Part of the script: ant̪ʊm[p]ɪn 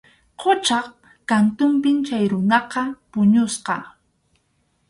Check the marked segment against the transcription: correct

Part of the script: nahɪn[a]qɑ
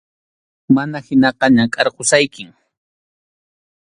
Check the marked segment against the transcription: incorrect: ɑ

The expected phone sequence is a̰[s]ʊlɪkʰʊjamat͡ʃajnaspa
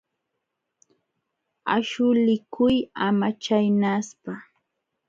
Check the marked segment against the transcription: incorrect: ʃ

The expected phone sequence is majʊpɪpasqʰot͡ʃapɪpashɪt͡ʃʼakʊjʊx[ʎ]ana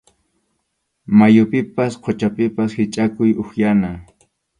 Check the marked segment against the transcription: incorrect: j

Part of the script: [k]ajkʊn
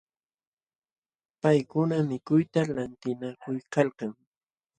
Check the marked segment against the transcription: incorrect: p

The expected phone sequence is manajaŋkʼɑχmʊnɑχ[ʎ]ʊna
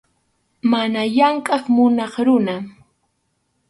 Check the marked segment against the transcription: incorrect: ɾ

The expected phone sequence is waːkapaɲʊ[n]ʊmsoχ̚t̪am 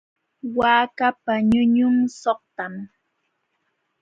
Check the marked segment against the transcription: incorrect: ɲ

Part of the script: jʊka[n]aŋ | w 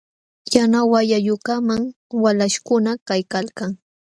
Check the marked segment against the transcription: incorrect: m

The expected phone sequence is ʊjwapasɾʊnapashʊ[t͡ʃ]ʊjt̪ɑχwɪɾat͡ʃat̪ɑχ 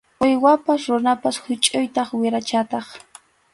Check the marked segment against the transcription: incorrect: t͡ʃʼ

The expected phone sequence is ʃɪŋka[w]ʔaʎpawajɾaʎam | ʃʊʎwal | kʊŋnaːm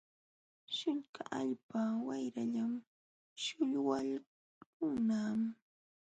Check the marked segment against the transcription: incorrect: none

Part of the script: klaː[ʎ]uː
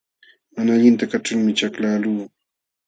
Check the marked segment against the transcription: incorrect: l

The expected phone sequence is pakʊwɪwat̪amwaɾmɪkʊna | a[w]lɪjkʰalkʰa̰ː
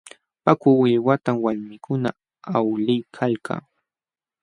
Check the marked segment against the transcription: correct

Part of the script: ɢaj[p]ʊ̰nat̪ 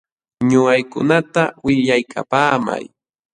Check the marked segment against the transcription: incorrect: k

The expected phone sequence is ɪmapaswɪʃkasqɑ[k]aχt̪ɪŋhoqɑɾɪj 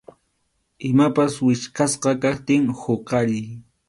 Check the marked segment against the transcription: correct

